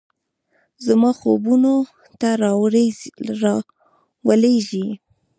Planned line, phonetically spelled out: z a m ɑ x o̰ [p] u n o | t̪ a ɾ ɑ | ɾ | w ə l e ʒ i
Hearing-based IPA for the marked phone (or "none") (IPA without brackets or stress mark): b